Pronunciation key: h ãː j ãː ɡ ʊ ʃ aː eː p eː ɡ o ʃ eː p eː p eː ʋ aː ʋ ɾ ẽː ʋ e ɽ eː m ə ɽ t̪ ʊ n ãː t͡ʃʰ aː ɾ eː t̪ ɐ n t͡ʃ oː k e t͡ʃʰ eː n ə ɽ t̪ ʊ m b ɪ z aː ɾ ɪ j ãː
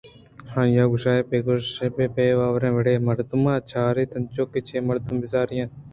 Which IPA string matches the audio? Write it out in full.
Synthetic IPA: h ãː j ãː ɡ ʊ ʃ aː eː p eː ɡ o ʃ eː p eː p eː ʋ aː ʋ ɾ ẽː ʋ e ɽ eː m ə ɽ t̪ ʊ m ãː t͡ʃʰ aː ɾ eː t̪ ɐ n t͡ʃ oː k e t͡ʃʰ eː m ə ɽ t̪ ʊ m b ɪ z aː ɾ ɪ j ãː